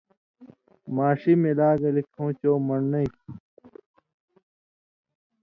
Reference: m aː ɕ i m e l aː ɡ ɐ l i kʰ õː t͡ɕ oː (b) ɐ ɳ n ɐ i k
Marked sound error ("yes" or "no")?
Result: yes